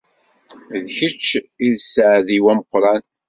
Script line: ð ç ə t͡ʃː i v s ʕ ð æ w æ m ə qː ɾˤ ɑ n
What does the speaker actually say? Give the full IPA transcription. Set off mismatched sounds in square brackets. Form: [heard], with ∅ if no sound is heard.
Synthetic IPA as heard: ð ç ə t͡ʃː i [ð] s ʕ ð [i] w æ m ə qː ɾˤ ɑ n

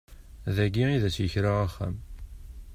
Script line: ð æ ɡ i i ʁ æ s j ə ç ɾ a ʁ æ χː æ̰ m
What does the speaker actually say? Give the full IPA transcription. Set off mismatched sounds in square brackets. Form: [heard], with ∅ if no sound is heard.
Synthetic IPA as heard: ð æ ɡ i i [ð] æ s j ə ç ɾ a ʁ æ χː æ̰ m

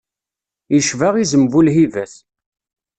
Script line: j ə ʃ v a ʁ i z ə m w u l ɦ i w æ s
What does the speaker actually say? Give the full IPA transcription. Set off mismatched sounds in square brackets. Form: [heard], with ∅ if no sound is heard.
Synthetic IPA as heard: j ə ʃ v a ʁ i z ə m [v] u l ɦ i [v] æ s

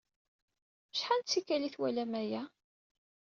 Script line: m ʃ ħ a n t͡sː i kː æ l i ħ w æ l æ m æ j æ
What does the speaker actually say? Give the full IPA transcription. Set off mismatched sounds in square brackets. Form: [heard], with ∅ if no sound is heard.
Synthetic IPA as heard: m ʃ ħ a n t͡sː i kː æ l i [θ] w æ l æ m æ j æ

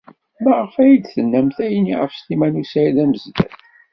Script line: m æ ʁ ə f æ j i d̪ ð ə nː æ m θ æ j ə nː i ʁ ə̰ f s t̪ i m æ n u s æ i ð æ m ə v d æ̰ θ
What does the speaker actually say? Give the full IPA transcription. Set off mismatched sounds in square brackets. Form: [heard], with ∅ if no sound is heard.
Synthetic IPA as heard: m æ ʁ ə f æ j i d̪ [θ] ə nː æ m θ æ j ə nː i ʁ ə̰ f s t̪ i m æ n u s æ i ð æ m ə [z] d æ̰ θ

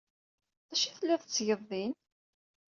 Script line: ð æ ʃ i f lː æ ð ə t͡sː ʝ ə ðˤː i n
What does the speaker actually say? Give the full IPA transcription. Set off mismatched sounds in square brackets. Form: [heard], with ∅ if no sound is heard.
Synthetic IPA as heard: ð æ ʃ i [θ] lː æ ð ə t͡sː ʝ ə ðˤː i n

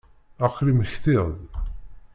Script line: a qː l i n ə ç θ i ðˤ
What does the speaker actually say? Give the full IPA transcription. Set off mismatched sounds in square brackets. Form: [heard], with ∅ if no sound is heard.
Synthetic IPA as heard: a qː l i [m] ə ç θ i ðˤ

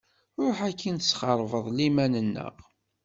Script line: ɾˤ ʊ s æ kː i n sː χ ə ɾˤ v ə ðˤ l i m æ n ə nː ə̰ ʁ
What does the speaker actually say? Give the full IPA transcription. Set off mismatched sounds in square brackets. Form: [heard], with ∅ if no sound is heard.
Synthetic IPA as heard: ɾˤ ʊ [ħ] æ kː i n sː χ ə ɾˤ v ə ðˤ l i m æ n ə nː ə̰ ʁ

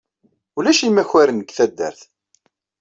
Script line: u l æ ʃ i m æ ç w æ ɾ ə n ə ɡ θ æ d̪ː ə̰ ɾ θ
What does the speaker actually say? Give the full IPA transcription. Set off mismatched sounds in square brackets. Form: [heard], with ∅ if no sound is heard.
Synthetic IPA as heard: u l æ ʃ i m æ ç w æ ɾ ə n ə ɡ θ æ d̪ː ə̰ ɾ θ

